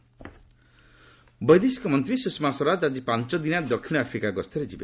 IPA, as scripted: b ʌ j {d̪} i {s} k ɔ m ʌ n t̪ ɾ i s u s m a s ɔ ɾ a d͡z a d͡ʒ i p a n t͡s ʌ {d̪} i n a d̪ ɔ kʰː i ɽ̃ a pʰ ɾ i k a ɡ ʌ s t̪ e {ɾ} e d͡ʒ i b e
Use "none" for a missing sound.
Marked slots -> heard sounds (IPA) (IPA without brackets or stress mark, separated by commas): d̪, s, d̪, ɾ